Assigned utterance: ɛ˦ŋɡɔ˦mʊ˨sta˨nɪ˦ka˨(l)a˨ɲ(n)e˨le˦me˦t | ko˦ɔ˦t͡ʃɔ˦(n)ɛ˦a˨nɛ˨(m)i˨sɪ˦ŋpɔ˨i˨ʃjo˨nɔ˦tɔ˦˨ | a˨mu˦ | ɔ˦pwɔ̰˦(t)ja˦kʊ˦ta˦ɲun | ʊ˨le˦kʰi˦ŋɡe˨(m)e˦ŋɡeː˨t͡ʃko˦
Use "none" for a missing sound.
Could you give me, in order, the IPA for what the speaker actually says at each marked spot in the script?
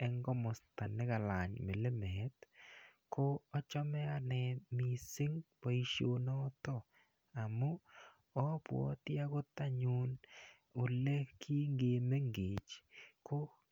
l, m, m, m, t, m

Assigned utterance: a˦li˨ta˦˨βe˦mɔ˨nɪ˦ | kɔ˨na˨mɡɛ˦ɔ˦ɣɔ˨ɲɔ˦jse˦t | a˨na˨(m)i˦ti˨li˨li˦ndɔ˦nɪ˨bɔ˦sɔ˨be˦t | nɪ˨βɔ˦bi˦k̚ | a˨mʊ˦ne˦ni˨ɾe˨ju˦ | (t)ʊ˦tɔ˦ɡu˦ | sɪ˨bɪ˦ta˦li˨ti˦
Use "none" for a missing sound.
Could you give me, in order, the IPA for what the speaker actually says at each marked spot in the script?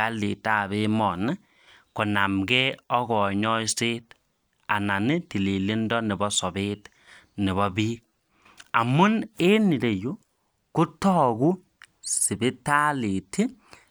n, k

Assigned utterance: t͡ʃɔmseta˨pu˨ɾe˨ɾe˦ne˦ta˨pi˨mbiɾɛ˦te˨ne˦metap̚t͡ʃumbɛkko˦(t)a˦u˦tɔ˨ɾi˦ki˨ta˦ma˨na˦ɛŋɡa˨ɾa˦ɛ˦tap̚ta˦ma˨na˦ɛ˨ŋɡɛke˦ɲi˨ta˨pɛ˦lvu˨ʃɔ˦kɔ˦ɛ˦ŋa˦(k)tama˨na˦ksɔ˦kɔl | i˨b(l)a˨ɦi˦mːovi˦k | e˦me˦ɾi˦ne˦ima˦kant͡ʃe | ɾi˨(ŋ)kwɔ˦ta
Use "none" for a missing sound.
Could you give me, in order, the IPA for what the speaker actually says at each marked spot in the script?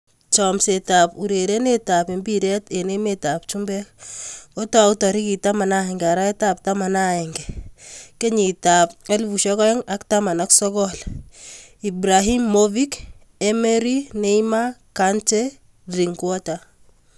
t, k, ɾ, ŋ

